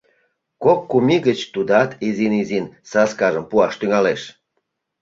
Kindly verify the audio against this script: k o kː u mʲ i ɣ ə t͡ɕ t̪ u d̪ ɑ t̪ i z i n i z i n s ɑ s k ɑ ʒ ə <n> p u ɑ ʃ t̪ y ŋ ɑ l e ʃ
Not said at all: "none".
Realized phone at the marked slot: m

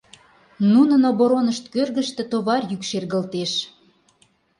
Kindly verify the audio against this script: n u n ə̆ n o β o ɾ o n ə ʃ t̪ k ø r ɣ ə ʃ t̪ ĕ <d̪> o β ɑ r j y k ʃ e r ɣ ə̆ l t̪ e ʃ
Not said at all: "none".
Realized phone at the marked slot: t̪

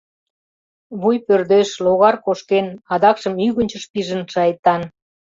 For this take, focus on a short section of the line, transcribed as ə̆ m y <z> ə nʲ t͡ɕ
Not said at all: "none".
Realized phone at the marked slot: ɣ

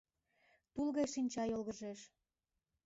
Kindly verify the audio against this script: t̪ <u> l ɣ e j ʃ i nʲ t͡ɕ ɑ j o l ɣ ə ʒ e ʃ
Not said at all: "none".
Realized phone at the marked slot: u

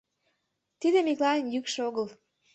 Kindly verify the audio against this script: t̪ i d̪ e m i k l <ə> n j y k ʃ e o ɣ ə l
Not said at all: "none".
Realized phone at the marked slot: ɑ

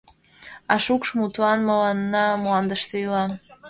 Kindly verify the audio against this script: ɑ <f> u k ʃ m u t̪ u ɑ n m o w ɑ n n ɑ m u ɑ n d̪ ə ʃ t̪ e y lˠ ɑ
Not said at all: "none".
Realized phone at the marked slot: ʃ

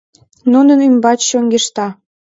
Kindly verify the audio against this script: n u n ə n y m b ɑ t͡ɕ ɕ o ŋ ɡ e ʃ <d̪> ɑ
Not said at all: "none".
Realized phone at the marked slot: t̪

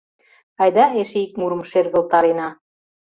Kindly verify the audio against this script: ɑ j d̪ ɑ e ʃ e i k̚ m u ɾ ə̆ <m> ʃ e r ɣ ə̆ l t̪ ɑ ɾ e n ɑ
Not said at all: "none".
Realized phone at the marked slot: m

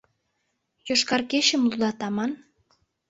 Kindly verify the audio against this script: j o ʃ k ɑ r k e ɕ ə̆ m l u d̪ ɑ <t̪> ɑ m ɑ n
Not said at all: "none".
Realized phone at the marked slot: t̪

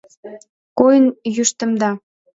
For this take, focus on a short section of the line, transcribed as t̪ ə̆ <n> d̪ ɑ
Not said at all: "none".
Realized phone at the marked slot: m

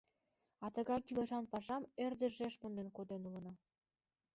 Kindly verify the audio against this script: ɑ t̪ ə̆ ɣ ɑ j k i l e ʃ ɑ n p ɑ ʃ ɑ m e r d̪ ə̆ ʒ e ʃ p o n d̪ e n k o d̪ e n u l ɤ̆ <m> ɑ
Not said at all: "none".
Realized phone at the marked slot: n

